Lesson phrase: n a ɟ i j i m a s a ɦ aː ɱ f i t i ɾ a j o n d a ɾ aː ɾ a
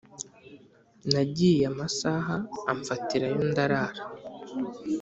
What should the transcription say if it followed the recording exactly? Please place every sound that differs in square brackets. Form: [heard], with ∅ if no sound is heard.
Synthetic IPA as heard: n a ɟ i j [a] m a s a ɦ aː ɱ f [a] t i ɾ a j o n d a ɾ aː ɾ a